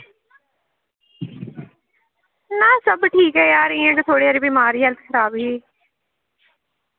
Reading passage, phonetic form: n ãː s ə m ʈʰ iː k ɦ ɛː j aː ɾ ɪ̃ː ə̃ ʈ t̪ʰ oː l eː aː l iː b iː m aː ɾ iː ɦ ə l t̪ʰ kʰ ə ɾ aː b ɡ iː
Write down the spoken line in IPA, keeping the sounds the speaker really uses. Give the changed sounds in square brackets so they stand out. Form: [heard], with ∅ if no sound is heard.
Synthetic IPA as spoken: n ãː s ə [b] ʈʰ iː k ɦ ɛː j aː ɾ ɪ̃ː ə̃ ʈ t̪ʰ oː [ɽ] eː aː [ɾ] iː b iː m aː ɾ iː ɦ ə l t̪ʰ kʰ ə ɾ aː b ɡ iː